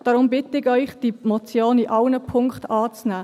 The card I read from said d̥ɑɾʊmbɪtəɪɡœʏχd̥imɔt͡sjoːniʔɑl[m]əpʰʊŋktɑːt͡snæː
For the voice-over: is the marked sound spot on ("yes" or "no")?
no